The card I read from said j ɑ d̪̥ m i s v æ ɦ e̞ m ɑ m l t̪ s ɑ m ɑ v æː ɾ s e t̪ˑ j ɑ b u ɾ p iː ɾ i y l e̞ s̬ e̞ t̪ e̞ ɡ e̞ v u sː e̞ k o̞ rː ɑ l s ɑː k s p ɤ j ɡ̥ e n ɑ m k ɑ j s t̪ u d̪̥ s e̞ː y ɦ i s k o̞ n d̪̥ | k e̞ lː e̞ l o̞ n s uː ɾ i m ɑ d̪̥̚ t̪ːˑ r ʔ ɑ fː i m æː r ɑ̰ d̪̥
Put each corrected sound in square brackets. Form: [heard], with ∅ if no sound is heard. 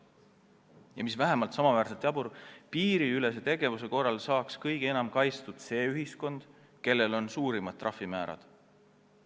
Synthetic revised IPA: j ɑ [∅] m i s v æ ɦ e̞ m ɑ [∅] l t̪ s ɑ m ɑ v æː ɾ s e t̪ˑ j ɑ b u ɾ p iː ɾ i y l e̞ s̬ e̞ t̪ e̞ ɡ e̞ v u [s] e̞ k o̞ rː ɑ l s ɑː k s [k] ɤ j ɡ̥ e n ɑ m k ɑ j s t̪ u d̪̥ s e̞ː y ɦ i s k o̞ n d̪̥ | k e̞ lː e̞ l o̞ n s uː ɾ i m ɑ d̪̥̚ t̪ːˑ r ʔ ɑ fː i m æː [ɾ] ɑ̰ d̪̥